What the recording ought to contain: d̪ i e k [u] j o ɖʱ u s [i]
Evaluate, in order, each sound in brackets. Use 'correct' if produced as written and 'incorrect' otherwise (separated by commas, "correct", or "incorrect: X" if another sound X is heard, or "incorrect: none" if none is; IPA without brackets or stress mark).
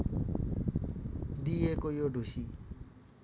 incorrect: o, correct